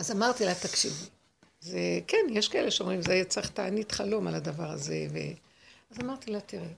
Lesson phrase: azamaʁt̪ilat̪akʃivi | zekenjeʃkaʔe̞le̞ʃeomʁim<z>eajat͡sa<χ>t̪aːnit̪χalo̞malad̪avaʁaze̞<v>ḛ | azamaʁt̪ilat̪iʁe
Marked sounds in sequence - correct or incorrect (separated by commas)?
correct, correct, correct